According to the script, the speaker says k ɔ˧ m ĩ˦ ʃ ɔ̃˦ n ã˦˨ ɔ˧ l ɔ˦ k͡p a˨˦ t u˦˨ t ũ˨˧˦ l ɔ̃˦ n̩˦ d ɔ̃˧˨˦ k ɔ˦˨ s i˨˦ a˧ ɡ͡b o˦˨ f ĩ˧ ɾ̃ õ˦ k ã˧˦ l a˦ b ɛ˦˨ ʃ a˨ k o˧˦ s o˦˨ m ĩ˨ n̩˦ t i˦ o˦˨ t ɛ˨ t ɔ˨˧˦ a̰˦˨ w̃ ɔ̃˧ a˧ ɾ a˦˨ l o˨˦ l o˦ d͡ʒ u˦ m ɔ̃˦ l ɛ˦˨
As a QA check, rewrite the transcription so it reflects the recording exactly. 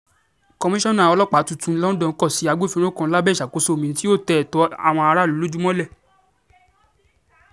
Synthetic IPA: k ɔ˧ m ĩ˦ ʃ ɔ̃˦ n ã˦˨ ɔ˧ l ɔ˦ k͡p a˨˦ t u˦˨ t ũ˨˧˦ l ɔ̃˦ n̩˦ d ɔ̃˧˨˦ k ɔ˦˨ s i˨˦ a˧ ɡ͡b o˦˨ f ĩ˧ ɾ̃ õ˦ k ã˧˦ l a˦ b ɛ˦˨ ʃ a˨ k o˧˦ s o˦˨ m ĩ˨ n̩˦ t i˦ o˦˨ t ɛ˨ t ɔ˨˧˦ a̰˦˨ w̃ ɔ̃˧ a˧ ɾ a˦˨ l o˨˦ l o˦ d͡ʒ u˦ m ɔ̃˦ l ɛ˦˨

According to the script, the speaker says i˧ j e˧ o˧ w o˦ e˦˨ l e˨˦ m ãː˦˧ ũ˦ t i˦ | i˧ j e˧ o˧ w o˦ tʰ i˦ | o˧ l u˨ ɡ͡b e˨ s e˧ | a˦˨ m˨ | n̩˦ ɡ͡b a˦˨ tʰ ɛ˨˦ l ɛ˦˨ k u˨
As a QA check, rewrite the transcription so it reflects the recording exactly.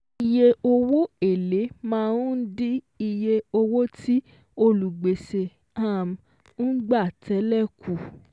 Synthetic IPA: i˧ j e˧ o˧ w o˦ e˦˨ l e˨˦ m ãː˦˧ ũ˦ d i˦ | i˧ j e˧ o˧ w o˦ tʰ i˦ | o˧ l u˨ ɡ͡b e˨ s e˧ | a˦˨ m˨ | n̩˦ ɡ͡b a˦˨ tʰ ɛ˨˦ l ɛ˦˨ k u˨

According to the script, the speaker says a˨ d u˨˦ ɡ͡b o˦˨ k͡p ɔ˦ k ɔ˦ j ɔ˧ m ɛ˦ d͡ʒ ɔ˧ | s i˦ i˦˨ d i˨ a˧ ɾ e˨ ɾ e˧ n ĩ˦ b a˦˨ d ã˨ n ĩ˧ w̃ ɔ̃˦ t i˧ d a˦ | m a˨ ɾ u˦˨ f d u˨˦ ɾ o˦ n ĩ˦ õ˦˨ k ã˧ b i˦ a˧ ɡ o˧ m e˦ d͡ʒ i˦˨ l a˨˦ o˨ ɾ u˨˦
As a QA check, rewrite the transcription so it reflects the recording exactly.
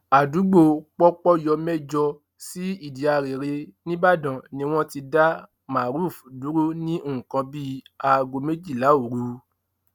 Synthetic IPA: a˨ d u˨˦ ɡ͡b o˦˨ k͡p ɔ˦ k͡p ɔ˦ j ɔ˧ m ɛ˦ d͡ʒ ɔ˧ | s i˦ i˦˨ d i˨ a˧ ɾ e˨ ɾ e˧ n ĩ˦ b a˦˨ d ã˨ n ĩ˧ w̃ ɔ̃˦ t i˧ d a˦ | m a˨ ɾ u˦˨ f d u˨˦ ɾ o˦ n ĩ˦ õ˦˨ k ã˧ b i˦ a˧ ɡ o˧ m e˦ d͡ʒ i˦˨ l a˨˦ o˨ ɾ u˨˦

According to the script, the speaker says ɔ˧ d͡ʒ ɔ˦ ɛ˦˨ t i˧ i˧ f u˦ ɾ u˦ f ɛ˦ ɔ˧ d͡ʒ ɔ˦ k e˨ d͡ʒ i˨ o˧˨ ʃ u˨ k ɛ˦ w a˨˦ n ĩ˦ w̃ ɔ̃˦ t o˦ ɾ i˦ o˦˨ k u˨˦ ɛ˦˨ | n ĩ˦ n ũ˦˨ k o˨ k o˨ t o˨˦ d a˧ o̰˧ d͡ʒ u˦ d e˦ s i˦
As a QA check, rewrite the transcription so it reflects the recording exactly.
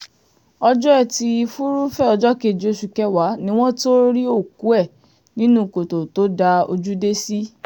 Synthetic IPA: ɔ˧ d͡ʒ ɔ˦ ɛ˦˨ t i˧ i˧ f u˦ ɾ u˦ f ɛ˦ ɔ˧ d͡ʒ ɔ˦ k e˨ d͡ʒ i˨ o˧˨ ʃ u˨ k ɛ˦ w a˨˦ n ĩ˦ w̃ ɔ̃˦ t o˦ ɾ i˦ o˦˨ k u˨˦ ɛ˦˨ | n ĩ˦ n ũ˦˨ k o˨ t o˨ t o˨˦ d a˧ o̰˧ d͡ʒ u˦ d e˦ s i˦

